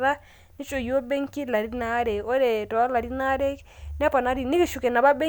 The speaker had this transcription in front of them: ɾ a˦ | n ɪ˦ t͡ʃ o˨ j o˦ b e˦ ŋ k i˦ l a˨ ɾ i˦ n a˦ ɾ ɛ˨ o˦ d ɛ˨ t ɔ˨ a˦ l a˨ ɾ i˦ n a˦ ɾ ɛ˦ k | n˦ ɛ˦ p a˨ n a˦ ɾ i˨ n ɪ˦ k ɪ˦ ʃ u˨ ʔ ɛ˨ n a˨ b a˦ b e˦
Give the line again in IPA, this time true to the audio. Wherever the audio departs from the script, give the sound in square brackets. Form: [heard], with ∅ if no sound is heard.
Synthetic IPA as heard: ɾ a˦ | n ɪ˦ t͡ʃ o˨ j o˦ b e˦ ŋ k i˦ l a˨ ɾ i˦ n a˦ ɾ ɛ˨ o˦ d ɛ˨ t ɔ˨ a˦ l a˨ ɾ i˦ n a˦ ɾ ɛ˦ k | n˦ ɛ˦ p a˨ n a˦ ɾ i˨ n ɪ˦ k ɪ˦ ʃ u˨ [k] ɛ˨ n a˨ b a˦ b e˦